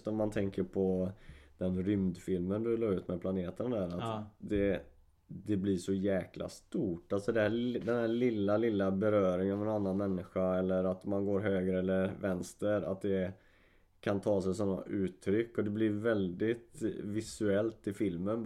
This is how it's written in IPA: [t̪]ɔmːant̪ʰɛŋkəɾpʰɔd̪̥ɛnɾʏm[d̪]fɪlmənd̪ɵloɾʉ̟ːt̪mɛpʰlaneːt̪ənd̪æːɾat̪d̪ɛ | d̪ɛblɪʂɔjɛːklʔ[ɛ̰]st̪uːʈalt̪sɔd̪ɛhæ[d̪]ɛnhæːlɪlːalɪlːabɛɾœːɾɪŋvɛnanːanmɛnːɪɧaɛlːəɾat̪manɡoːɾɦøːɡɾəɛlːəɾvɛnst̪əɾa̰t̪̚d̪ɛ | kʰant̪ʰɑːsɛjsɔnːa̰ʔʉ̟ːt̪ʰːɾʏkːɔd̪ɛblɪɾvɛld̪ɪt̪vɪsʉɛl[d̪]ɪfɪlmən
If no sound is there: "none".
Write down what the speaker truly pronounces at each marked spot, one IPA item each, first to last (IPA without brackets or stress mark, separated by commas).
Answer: t̪, d̪, a̰, d̪, t̪